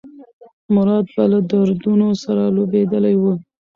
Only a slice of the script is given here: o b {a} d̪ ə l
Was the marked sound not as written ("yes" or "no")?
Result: yes